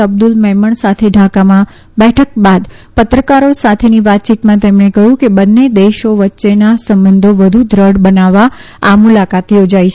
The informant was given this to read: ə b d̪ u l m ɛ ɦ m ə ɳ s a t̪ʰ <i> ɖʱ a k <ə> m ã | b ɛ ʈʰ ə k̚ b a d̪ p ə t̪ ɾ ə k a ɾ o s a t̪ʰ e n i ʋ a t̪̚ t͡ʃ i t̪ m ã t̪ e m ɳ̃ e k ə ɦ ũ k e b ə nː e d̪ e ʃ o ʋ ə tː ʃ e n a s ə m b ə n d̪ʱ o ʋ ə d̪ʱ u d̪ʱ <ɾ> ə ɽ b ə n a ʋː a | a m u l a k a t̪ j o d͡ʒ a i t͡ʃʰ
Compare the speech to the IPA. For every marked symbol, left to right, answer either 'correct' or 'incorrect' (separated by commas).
incorrect, incorrect, correct